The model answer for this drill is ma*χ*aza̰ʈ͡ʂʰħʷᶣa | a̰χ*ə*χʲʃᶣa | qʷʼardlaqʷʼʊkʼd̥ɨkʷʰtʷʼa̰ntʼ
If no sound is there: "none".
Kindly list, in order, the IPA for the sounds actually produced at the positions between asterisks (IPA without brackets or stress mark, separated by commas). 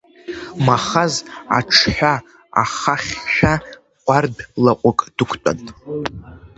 χ, a